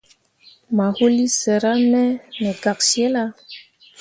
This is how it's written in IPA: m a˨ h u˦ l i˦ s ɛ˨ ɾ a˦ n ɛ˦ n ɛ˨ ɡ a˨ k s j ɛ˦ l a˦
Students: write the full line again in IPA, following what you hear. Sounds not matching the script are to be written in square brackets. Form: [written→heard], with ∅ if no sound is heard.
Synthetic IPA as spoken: m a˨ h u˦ l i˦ s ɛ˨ ɾ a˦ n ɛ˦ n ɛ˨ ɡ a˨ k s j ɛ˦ l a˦